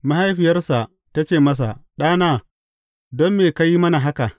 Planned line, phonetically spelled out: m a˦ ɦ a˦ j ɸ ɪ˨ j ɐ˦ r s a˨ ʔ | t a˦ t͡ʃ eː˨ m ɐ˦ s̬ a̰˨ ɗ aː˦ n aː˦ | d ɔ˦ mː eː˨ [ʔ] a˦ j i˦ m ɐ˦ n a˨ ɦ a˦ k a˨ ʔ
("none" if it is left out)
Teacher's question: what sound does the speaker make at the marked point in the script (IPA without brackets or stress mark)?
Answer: k